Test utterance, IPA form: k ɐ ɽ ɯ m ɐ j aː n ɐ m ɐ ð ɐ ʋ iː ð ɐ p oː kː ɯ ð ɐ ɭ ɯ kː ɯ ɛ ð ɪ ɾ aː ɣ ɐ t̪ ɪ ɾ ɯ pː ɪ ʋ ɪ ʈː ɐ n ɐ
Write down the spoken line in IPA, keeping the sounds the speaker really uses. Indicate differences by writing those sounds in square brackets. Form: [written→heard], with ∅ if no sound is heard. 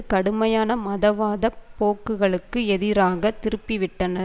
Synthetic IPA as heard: k ɐ ɽ ɯ m ɐ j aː n ɐ m ɐ ð ɐ ʋ [iː→aː] ð ɐ p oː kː ɯ [ð→ɣ] ɐ ɭ ɯ kː ɯ ɛ ð ɪ ɾ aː ɣ ɐ t̪ ɪ ɾ ɯ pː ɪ ʋ ɪ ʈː ɐ n ɐ